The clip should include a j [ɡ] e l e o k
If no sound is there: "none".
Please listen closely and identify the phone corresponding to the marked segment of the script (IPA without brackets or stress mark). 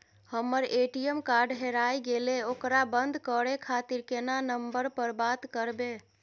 ɡ